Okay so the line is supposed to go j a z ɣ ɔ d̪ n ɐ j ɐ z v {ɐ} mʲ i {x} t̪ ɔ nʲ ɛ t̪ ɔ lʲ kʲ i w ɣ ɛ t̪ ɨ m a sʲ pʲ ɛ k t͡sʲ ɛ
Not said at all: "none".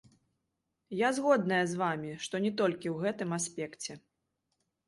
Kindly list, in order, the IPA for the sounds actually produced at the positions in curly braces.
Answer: a, ʂ

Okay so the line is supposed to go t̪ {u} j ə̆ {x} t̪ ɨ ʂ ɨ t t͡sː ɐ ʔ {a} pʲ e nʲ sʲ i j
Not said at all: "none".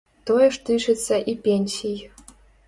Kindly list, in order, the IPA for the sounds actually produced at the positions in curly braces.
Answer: o, ʂ, i

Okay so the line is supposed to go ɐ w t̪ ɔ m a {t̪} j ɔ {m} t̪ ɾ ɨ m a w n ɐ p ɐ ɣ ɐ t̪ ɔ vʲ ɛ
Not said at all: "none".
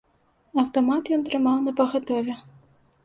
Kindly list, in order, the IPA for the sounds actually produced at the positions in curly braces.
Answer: t̪, n

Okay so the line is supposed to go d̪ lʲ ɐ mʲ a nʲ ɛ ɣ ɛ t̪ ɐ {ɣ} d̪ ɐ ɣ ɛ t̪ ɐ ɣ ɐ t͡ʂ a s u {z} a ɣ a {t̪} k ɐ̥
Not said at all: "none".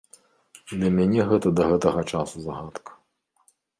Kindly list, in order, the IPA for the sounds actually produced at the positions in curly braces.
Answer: none, z, t̪

